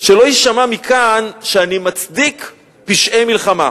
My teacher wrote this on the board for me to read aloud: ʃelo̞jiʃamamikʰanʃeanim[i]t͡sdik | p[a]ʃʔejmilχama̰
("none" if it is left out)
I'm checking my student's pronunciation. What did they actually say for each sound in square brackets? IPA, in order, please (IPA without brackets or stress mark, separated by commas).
a, i